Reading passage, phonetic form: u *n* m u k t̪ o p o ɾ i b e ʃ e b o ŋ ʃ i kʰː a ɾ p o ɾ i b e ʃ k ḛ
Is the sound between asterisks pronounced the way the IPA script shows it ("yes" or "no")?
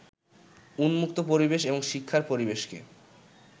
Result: yes